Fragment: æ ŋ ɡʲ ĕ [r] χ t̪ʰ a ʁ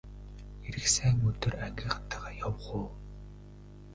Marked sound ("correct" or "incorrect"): incorrect